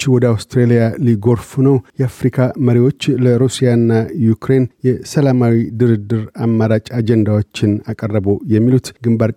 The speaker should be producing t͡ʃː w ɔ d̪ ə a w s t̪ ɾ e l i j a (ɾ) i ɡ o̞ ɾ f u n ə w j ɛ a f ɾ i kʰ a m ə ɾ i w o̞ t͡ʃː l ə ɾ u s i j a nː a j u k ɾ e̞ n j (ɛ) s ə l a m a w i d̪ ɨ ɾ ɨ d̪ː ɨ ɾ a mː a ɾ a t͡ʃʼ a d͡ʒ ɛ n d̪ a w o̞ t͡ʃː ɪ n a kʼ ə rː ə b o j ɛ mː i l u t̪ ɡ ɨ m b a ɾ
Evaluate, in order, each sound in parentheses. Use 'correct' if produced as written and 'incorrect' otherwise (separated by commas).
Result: incorrect, correct